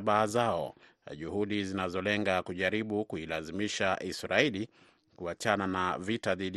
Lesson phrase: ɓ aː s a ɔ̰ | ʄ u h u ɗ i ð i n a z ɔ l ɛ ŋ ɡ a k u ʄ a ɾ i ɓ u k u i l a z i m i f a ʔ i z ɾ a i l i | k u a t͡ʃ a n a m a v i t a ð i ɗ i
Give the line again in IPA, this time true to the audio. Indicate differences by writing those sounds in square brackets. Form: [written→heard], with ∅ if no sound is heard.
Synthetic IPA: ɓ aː [s→z] a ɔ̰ | ʄ u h u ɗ i [ð→z] i n a z ɔ l ɛ ŋ ɡ a k u ʄ a ɾ i ɓ u k u i l a z i m i [f→ʃ] a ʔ i [z→s] ɾ a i l i | k u a t͡ʃ a n a [m→n] a v i t a ð i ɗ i